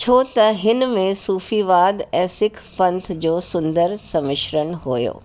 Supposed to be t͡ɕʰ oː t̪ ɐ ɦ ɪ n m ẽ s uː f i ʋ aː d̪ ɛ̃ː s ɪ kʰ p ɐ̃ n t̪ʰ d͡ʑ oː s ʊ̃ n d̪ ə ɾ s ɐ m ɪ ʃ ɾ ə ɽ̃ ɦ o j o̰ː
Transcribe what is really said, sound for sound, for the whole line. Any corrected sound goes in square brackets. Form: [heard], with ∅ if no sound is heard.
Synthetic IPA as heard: t͡ɕʰ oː t̪ ɐ ɦ ɪ n m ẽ s uː f i ʋ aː d̪ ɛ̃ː s ɪ kʰ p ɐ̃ n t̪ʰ d͡ʑ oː s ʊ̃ n d̪ ə ɾ s ɐ m ɪ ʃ ɾ ə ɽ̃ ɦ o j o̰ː